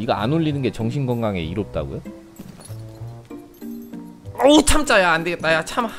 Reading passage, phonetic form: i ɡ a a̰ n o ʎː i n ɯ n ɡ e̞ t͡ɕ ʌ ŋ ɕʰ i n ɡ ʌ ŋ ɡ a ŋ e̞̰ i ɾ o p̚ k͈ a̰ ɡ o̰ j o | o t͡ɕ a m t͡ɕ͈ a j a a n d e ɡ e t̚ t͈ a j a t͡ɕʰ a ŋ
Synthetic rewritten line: i ɡ a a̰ n o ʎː i n ɯ n ɡ e̞ t͡ɕ ʌ ŋ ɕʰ i n ɡ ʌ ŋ ɡ a ŋ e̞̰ i ɾ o p̚ t͈ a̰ ɡ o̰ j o | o t͡ɕʰ a m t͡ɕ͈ a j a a n d e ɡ e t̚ t͈ a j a t͡ɕʰ a m